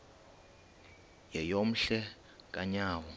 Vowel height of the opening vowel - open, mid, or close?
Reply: mid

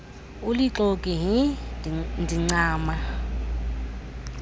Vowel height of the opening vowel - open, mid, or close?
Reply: close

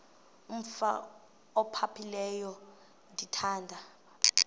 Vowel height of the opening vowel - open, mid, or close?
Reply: close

